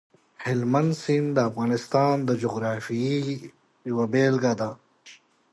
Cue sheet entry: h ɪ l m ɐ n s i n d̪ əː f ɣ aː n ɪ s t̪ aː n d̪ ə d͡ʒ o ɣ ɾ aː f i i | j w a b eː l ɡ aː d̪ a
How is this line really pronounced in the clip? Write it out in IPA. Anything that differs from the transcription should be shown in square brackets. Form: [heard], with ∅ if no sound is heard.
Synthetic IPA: h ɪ l m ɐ n s i n d̪ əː f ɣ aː n ɪ s t̪ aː n d̪ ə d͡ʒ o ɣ ɾ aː f i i | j w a b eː l ɡ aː d̪ a